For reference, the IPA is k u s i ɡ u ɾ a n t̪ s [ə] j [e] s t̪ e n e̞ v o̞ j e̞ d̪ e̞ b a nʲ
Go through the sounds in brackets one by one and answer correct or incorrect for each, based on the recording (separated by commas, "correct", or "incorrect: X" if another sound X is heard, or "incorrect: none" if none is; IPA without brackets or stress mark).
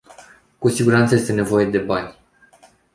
correct, correct